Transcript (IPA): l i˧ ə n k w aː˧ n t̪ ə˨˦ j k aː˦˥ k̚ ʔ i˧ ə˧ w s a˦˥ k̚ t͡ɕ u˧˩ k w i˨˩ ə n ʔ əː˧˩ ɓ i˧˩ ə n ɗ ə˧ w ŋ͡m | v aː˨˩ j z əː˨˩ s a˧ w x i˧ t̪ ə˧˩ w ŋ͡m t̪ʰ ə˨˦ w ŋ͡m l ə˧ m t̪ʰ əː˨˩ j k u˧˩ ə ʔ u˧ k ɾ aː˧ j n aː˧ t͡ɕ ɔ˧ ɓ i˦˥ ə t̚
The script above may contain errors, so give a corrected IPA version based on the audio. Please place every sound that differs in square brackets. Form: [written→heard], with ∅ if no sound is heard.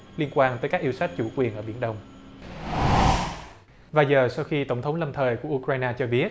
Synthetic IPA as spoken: l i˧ ə n k w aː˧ n t̪ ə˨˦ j k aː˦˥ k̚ ʔ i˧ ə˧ w s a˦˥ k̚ t͡ɕ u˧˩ k w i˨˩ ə n ʔ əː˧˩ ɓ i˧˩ ə n ɗ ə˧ w ŋ͡m | v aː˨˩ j z əː˨˩ s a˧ w x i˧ t̪ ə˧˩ w ŋ͡m t̪ʰ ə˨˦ w ŋ͡m l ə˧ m t̪ʰ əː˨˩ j k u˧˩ ə ʔ u˧ k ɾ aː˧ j n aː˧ t͡ɕ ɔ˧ ɓ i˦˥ ə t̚